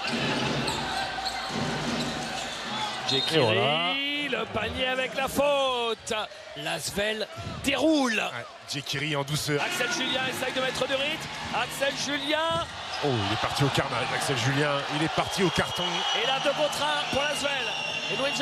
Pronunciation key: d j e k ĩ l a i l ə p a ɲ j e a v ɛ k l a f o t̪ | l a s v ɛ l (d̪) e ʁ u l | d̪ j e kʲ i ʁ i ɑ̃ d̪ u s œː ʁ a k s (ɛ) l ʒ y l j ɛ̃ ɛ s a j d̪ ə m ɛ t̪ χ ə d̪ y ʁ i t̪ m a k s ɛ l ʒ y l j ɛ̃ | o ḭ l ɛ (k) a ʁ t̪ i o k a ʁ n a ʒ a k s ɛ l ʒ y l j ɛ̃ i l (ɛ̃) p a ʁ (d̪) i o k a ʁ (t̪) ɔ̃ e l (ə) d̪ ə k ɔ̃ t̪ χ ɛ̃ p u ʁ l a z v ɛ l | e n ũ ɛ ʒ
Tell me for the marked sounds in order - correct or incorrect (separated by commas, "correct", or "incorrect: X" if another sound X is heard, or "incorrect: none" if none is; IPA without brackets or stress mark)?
correct, correct, incorrect: p, incorrect: ɛ, incorrect: t̪, correct, incorrect: a